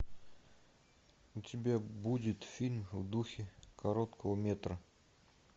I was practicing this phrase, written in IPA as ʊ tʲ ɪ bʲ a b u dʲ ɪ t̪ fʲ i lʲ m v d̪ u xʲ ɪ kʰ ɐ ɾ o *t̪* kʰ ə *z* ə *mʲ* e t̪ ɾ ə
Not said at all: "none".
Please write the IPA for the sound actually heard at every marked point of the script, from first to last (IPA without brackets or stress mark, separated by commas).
t̪, v, mʲ